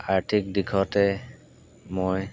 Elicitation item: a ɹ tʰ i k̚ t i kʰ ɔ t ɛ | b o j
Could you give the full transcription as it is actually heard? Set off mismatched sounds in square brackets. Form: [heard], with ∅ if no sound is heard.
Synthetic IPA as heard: a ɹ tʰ i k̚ [d] i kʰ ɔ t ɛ | [m] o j